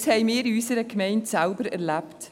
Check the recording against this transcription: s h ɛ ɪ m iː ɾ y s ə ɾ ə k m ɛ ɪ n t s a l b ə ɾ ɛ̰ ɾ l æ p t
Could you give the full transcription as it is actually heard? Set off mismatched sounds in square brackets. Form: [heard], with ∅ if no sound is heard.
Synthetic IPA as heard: s h ɛ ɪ m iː ɾ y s ə ɾ ə k m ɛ ɪ n t s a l b ə ɾ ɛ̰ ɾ l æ p t